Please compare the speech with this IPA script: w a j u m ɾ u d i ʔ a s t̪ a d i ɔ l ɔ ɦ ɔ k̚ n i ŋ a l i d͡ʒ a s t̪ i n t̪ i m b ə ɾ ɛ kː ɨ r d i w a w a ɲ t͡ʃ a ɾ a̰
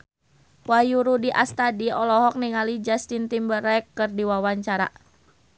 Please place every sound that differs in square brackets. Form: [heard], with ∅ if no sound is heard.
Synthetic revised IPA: w a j u [∅] ɾ u d i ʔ a s t̪ a d i ɔ l ɔ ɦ ɔ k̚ n i ŋ a l i d͡ʒ a s t̪ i n t̪ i m b ə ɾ ɛ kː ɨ r d i w a w a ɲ t͡ʃ a ɾ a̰